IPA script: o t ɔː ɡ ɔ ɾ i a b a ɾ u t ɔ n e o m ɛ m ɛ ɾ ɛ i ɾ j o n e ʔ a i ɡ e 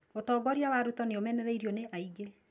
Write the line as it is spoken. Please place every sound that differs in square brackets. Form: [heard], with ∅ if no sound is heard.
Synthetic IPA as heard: o t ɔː ɡ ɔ ɾ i a [w] a ɾ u t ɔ n e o m ɛ [n] ɛ ɾ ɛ i ɾ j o n e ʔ a i ɡ e